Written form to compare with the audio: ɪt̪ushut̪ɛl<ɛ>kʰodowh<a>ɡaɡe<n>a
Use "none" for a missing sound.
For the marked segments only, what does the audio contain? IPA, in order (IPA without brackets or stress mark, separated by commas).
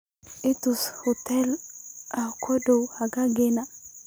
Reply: a, a, n